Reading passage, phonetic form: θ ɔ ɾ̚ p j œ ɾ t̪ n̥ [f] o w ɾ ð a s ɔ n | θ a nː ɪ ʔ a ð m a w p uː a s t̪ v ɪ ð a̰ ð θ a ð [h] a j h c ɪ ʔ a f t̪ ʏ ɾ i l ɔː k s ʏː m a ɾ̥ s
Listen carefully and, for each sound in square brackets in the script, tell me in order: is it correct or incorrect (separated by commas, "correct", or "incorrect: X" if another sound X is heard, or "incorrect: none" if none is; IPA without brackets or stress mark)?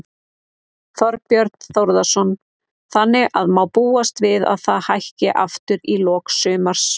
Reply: incorrect: θ, correct